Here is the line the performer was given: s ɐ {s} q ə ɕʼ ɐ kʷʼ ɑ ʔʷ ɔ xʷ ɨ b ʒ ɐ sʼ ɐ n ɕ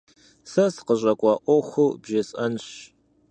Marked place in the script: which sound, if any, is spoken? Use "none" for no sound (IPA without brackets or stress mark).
s